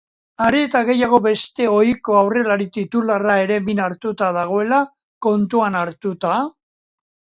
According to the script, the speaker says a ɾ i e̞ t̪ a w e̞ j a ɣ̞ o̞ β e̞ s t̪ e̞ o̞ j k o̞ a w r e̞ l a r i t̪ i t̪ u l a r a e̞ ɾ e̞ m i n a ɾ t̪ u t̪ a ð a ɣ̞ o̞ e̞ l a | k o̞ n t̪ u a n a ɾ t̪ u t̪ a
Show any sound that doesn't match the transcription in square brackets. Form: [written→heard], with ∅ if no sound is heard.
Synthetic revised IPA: a ɾ i e̞ t̪ a [w→ɣ] e̞ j a ɣ̞ o̞ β e̞ s t̪ e̞ o̞ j k o̞ a w r e̞ l a [r→ɾ] i t̪ i t̪ u l a r a e̞ ɾ e̞ m i n a ɾ t̪ u t̪ a ð a ɣ̞ o̞ e̞ l a | k o̞ n t̪ u a n a ɾ t̪ u t̪ a